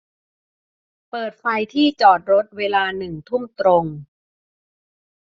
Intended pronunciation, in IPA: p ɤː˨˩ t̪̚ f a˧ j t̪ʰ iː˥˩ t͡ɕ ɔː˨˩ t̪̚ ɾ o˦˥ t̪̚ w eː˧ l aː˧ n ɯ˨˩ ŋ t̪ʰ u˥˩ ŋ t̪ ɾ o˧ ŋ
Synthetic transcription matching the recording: p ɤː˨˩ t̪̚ f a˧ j t̪ʰ iː˥˩ t͡ɕ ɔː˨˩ t̪̚ ɾ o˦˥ t̪̚ w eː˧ l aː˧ n ɯ˨˩ ŋ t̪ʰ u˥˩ m t̪ ɾ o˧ ŋ